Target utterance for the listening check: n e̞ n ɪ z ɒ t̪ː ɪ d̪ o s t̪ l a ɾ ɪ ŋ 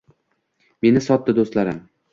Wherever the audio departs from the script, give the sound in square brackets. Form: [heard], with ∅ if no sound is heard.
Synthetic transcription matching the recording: [m] e̞ n ɪ [s] ɒ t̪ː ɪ d̪ o s t̪ l a ɾ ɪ [m]